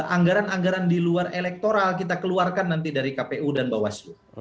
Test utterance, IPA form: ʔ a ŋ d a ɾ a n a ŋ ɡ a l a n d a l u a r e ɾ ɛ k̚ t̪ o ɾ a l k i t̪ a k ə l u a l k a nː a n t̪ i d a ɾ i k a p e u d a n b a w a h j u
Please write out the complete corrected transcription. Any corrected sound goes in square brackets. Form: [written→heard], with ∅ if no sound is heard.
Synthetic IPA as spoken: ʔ a ŋ [d→ɡ] a ɾ a n a ŋ ɡ a [l→ɾ] a n d [a→i] l u a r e [ɾ→l] ɛ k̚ t̪ o ɾ a l k i t̪ a k ə l u a [l→r] k a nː a n t̪ i d a ɾ i k a p e u d a n b a w a [h→s] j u